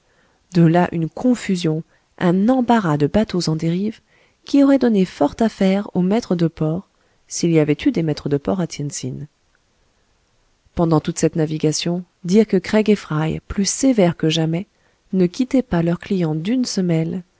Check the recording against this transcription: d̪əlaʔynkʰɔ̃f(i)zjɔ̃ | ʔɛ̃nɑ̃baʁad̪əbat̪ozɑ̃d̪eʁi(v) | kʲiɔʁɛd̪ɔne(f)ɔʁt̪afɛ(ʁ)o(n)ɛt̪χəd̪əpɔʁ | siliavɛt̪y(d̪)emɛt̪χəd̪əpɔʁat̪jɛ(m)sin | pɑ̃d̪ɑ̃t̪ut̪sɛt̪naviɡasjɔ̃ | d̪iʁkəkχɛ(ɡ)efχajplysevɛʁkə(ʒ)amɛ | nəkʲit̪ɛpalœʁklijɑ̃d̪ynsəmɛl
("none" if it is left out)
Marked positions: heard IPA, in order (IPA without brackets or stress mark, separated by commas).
y, v, f, ʁ, m, d̪, n, ɡ, ʒ